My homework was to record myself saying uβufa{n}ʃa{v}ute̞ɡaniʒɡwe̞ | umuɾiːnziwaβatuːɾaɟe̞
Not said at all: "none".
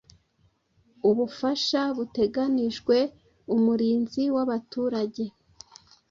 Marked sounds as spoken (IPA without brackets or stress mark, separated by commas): none, β